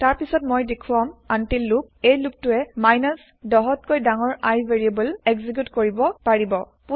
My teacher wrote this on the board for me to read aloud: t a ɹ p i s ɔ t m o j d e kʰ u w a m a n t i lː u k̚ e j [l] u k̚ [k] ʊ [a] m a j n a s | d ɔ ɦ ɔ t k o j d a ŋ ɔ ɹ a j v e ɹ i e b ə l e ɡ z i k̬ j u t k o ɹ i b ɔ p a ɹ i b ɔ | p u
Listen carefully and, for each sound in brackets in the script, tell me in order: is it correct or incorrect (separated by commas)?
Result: correct, incorrect, incorrect